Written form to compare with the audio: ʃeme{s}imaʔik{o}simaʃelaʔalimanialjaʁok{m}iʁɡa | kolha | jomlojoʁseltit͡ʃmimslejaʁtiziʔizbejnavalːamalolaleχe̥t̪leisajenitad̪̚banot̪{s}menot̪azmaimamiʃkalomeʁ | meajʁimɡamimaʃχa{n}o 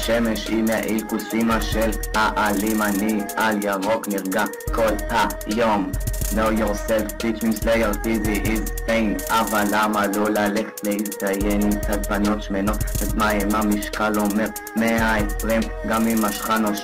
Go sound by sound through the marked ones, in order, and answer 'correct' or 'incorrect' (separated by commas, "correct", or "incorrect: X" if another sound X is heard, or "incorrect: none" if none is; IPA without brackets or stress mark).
incorrect: ʃ, incorrect: u, incorrect: n, incorrect: ʃ, correct